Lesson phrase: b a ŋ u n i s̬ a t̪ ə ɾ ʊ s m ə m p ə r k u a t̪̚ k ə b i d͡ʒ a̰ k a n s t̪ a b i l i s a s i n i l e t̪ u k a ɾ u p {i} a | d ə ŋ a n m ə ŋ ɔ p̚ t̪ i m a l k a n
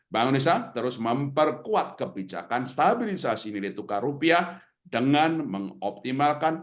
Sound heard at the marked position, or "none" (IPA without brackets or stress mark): i